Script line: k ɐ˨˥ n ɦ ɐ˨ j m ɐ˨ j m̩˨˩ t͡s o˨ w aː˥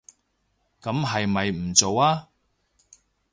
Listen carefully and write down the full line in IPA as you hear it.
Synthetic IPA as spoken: k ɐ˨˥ m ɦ ɐ˨ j m ɐ˨ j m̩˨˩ t͡s o˨ w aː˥